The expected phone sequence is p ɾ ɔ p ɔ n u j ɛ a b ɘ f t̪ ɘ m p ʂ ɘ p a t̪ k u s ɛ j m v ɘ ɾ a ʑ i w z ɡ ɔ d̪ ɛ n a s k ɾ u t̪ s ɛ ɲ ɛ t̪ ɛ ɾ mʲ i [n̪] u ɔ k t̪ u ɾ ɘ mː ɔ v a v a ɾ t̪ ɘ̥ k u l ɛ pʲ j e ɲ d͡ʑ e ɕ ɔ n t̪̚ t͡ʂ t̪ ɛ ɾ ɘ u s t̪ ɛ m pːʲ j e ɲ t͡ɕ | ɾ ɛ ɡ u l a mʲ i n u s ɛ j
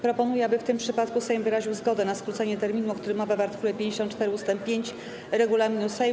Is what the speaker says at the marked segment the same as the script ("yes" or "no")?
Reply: yes